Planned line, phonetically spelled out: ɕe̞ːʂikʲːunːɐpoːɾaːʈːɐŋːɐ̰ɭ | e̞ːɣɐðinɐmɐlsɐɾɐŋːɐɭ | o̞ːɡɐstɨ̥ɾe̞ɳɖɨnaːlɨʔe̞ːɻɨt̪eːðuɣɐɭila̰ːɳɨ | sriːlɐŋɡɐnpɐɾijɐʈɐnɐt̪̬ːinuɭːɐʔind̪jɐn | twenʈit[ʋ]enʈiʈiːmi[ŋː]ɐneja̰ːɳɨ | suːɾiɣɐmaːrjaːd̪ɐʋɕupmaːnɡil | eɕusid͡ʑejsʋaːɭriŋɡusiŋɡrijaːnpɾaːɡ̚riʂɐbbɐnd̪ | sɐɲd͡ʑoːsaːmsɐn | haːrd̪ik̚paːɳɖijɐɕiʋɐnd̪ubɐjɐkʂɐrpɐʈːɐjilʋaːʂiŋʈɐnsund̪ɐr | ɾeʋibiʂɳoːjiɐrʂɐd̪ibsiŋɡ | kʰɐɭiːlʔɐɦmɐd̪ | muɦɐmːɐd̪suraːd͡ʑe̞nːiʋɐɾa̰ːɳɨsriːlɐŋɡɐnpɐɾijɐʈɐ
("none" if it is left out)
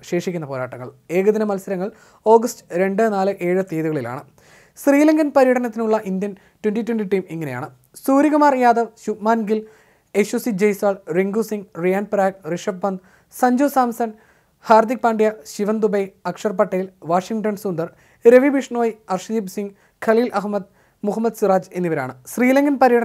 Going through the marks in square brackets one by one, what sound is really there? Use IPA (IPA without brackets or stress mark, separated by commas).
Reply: w, ŋː